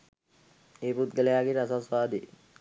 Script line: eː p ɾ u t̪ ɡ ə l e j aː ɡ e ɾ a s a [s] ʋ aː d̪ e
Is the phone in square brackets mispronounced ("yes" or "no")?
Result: no